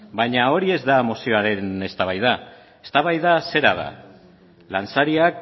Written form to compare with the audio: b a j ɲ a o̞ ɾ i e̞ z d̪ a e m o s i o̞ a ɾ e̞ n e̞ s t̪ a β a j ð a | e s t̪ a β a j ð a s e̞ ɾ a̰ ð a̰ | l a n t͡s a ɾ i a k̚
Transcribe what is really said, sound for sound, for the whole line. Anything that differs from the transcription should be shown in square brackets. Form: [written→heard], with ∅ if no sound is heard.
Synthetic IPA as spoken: b a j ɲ a o̞ ɾ i e̞ z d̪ a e m o s i o̞ a ɾ e̞ n e̞ s t̪ a β a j ð a | e s t̪ a β a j ð a s e̞ ɾ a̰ ð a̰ | l a n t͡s a ɾ i a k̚